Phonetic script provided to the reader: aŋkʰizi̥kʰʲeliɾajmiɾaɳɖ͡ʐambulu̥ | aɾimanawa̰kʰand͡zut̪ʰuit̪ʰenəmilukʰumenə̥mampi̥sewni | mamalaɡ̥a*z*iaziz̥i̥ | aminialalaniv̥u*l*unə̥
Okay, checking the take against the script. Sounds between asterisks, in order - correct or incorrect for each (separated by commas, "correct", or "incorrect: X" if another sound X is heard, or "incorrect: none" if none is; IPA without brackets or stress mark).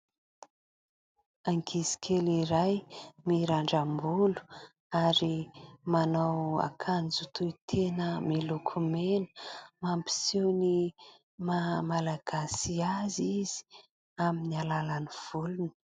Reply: incorrect: s, correct